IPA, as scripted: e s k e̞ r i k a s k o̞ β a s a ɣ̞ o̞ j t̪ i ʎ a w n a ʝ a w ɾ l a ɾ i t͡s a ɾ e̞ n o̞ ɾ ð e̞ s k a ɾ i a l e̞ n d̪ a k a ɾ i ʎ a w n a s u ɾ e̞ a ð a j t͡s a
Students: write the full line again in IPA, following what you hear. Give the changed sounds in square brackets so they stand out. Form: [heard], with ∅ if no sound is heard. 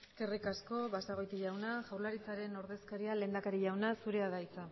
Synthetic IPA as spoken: e s k e̞ r i k a s k o̞ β a s a ɣ̞ o̞ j t̪ i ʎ a w n a ʝ a w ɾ l a ɾ i t͡s a ɾ e̞ n o̞ ɾ ð e̞ s k a ɾ i a l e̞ n d̪ a k a ɾ i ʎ a w n a s u ɾ e̞ a ð a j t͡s a

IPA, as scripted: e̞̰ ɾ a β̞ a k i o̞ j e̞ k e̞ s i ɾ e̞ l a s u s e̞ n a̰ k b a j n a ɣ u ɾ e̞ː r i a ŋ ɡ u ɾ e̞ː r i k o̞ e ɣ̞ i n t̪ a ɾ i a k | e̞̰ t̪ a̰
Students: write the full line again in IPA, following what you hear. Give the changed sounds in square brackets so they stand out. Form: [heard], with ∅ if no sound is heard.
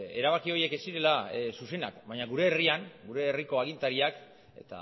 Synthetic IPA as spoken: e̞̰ ɾ a β̞ a k i o̞ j e̞ k e̞ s i ɾ e̞ l a s u s e̞ n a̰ k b a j [ɲ] a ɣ u ɾ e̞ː r i a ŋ ɡ u ɾ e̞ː r i k o̞ [a] ɣ̞ i n t̪ a ɾ i a k | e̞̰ t̪ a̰

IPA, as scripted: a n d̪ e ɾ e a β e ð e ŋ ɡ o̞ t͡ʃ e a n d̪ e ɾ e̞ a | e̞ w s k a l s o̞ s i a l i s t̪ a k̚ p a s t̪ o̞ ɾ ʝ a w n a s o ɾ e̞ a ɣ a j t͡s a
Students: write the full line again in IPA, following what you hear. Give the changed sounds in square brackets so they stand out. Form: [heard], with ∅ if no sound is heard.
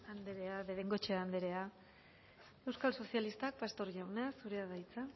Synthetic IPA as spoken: a n d̪ e ɾ e a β e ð e ŋ ɡ o̞ t͡ʃ e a n d̪ e ɾ e̞ a | e̞ w s k a l s o̞ s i a l i s t̪ a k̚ p a s t̪ o̞ ɾ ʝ a w n a s [u] ɾ e̞ a [ð] a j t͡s a

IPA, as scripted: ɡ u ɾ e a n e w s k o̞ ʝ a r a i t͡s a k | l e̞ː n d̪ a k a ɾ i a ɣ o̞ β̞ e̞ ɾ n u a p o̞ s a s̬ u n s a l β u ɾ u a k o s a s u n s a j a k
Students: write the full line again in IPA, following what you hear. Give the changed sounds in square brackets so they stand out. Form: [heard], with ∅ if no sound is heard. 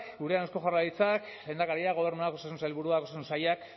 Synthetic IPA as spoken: ɡ u ɾ e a n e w s k o̞ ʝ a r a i t͡s a k | l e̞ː n d̪ a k a ɾ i a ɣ o̞ β̞ e̞ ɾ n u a [k] o̞ s a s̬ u n s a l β u ɾ u a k o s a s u n s a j a k

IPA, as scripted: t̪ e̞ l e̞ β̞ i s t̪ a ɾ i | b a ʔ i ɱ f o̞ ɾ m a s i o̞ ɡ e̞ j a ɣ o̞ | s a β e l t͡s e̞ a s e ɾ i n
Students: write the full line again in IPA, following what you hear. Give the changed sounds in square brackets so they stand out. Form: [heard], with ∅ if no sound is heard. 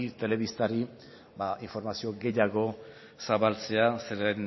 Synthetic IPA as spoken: t̪ e̞ l e̞ β̞ i s t̪ a ɾ i | b a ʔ i ɱ f o̞ ɾ m a s i o̞ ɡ e̞ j a ɣ o̞ | s a β [a] l t͡s e̞ a s e ɾ [e] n

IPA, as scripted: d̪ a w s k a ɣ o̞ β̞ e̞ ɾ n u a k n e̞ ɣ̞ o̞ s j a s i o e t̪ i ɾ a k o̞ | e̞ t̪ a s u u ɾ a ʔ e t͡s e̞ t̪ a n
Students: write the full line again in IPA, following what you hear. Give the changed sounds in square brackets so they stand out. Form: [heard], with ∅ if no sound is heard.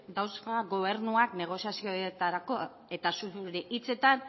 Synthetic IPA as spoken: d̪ a w s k a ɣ o̞ β̞ e̞ ɾ n u a k n e̞ ɣ̞ o̞ s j a s i o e t̪ [a] ɾ a k o̞ | e̞ t̪ a s u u ɾ [e] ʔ [i] t͡s e̞ t̪ a n

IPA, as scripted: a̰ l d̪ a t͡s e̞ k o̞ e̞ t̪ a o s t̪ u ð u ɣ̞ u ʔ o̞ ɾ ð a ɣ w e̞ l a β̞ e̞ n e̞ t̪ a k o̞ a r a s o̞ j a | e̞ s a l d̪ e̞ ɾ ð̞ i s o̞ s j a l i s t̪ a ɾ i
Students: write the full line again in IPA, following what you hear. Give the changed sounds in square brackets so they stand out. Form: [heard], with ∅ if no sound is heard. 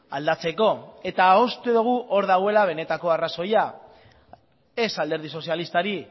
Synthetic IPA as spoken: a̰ l d̪ a t͡s e̞ k o̞ e̞ t̪ a o s t̪ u ð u ɣ̞ u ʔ o̞ ɾ ð a ɣ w e̞ l a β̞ e̞ n e̞ t̪ a k o̞ a r a s o̞ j a | e̞ s a l d̪ e̞ ɾ ð̞ i s o̞ s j a l i s t̪ a ɾ i

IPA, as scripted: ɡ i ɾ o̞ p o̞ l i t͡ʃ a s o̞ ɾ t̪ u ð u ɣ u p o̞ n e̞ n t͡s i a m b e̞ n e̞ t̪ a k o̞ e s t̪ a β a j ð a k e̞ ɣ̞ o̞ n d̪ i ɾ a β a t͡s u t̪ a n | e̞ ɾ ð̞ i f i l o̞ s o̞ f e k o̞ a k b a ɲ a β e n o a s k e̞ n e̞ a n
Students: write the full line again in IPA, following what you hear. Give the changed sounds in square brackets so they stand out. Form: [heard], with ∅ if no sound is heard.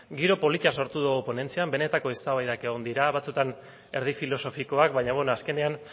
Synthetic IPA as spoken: ɡ i ɾ o̞ p o̞ l i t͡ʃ a s o̞ ɾ t̪ u ð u ɣ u p o̞ n e̞ n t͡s i a m b e̞ n e̞ t̪ a k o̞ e s t̪ a β a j ð a k e̞ ɣ̞ o̞ n d̪ i ɾ a β a t͡s u t̪ a n | e̞ ɾ ð̞ i f i l o̞ s o̞ f [i] k o̞ a k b a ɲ a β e n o a s k e̞ n e̞ a n

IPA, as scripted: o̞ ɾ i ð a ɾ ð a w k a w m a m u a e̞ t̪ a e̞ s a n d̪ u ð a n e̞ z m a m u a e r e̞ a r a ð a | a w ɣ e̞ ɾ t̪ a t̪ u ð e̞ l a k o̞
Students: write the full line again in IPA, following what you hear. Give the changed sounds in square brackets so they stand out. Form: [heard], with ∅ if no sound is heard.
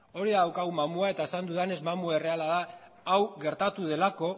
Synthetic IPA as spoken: o̞ ɾ i ð a [∅] ð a w k a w m a m u a e̞ t̪ a e̞ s a n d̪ u ð a n e̞ z m a m u a e r e̞ a [l] a ð a | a w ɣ e̞ ɾ t̪ a t̪ u ð e̞ l a k o̞

